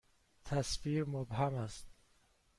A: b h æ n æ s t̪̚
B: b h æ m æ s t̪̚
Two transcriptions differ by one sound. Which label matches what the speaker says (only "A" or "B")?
B